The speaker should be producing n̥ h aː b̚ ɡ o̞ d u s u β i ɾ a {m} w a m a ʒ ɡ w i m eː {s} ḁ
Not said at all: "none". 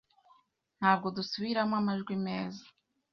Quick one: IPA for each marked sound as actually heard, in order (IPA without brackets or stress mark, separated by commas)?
m, z